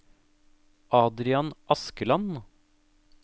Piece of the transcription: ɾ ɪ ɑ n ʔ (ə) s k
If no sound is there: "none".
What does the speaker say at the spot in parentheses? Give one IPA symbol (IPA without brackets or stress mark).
ɑ